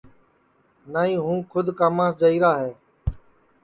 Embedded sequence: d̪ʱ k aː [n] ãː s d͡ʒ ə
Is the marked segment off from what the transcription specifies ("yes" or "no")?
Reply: yes